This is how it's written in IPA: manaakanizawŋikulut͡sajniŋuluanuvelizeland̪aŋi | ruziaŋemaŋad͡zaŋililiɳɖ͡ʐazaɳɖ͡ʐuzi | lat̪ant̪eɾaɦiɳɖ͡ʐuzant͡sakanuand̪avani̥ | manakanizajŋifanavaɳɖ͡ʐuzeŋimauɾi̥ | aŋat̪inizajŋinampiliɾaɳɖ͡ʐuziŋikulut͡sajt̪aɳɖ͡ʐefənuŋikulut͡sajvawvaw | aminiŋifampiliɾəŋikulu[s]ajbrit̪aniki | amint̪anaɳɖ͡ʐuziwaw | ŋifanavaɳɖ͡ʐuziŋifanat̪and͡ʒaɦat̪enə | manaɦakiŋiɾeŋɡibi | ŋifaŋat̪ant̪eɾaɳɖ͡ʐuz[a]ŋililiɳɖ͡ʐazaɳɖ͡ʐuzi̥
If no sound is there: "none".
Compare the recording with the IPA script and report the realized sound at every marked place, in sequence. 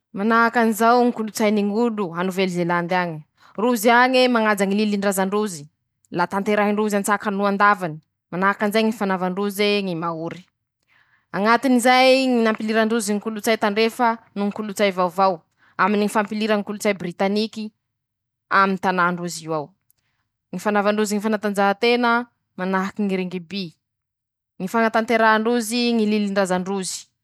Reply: t͡s, i

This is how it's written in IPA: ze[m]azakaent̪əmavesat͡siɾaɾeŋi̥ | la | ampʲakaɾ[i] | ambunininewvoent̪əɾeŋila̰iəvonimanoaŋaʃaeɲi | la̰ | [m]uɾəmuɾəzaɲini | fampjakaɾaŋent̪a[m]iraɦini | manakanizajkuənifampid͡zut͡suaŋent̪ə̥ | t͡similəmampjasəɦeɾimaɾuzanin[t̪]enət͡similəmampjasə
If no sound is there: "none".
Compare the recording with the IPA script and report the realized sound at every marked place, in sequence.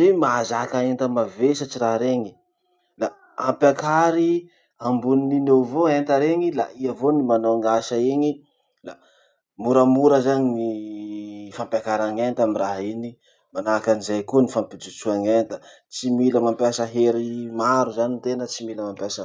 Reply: m, i, m, m, t̪

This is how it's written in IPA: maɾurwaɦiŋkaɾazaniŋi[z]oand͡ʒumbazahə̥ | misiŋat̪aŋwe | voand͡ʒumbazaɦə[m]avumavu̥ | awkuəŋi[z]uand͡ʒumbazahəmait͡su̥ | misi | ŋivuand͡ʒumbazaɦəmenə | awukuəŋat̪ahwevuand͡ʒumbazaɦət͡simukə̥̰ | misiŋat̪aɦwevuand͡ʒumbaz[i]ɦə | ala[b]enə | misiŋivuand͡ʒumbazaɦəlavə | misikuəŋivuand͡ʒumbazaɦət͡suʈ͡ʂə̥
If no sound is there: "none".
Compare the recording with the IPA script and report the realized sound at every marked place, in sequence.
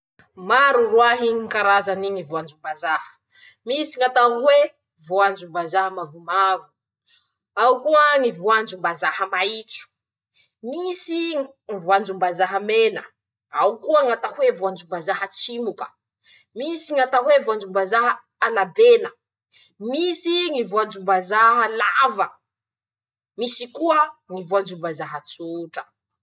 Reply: v, m, v, a, b

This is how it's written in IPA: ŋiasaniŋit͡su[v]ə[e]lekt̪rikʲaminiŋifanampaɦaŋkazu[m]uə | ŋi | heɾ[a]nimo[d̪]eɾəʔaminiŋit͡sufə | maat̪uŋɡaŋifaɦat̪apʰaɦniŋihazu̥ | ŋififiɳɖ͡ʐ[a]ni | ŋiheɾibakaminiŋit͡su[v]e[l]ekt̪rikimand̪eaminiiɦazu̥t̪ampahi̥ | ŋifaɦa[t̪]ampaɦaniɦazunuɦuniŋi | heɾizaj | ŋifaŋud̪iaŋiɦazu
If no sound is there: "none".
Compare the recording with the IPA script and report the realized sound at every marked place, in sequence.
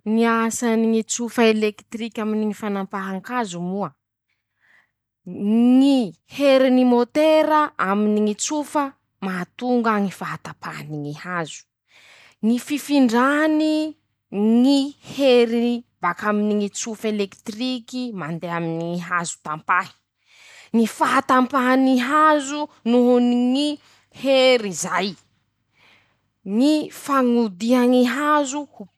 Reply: f, e, m, i, t̪, a, f, l, t̪

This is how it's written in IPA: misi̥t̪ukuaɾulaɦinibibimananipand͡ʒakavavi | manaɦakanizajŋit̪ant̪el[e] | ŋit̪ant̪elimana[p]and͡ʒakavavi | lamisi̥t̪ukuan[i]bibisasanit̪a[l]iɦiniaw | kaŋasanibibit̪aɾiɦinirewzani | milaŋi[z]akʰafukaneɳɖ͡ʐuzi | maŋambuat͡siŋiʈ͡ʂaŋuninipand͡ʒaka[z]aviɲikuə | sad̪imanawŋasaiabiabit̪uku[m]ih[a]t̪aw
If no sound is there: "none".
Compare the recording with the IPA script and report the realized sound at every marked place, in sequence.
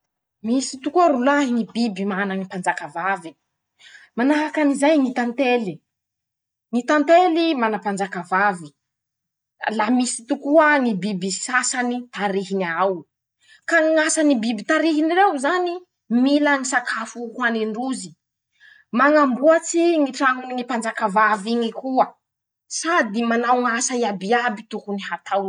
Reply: i, p, i, ɾ, s, v, n, a

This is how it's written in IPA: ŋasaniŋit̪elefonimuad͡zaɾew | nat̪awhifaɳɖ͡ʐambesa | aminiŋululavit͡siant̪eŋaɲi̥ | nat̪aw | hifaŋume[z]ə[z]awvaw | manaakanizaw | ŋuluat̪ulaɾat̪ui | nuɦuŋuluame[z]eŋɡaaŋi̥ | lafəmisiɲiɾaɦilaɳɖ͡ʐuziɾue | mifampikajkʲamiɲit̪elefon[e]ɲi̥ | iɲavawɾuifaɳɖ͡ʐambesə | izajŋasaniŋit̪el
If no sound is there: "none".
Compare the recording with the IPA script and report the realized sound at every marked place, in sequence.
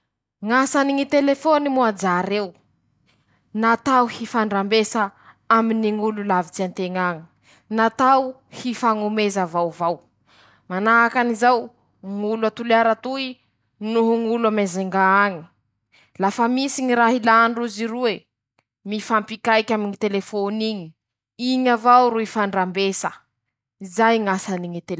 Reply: z, v, z, i

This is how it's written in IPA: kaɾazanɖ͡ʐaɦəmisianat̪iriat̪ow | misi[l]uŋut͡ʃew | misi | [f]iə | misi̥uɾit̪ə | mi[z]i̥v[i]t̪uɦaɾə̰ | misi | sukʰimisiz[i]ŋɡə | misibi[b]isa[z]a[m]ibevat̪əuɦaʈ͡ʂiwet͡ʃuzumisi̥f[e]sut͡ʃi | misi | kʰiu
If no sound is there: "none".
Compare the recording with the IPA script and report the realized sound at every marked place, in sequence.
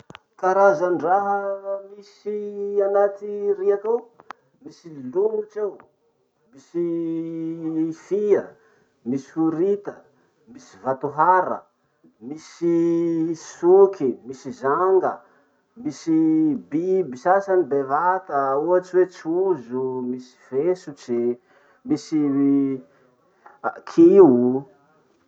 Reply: l, f, s, a, a, b, s, n, e

